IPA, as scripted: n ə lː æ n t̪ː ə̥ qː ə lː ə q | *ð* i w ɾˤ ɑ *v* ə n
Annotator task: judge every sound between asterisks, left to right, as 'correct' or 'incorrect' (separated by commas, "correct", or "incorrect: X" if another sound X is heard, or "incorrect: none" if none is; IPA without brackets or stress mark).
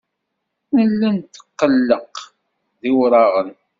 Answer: correct, incorrect: ʁ